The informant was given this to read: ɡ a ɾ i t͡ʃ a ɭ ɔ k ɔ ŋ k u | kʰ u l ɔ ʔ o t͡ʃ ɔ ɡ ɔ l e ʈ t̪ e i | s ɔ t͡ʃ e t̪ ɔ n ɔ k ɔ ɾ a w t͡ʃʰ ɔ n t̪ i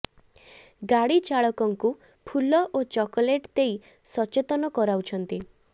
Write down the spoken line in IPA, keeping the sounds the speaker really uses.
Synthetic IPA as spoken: ɡ a ɽ i t͡ʃ a ɭ ɔ k ɔ ŋ k u | pʰ u l ɔ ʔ o t͡ʃ ɔ k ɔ l e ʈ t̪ e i | s ɔ t͡ʃ e t̪ ɔ n ɔ k ɔ ɾ a w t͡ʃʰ ɔ n t̪ i